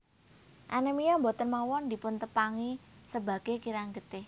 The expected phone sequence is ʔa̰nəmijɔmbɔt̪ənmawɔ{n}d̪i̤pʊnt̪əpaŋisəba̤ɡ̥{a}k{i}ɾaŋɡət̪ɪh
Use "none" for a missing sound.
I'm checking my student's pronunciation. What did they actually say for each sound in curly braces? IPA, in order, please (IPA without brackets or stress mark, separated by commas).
n, e, i